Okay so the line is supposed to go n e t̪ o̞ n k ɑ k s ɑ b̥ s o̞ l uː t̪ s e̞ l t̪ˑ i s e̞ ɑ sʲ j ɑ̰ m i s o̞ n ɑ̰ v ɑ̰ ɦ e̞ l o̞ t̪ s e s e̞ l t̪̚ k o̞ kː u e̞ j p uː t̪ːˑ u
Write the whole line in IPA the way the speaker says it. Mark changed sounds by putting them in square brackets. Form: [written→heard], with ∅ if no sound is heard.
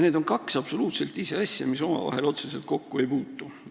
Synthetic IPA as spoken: n e [t̪→d̪] o̞ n k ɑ k s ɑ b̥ s o̞ l uː t̪ s e̞ l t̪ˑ i s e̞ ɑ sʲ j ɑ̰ m i s o̞ [n→m] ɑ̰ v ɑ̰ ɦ e̞ l o̞ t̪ s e s e̞ l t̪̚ k o̞ kː u e̞ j p uː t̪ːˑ u